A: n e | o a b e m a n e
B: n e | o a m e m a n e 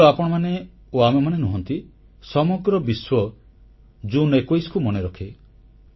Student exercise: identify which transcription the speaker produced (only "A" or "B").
B